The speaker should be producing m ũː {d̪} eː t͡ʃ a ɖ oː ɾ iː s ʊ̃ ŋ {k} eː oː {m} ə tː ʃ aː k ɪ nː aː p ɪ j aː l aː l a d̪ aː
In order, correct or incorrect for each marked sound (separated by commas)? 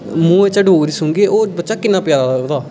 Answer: incorrect, incorrect, incorrect